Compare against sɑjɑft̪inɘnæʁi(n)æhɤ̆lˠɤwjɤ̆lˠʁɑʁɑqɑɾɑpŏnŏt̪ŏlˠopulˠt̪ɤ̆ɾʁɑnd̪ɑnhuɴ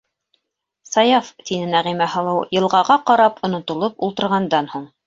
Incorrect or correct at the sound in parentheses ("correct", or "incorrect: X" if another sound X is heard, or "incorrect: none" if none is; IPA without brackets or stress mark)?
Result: incorrect: m